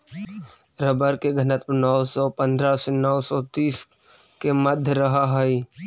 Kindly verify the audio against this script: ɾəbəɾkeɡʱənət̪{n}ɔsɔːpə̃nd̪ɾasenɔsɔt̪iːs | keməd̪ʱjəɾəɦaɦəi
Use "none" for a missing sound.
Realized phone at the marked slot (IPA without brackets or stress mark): n